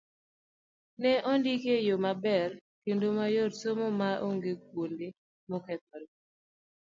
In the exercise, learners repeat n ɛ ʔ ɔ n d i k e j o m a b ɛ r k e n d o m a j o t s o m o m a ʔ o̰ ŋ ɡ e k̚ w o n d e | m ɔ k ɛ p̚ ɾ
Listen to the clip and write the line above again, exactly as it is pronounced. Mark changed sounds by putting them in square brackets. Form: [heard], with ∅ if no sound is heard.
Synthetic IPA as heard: n ɛ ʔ ɔ n d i k e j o m a b ɛ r k e n d o m a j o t s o m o m a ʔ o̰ ŋ ɡ e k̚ w o n d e | m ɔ k ɛ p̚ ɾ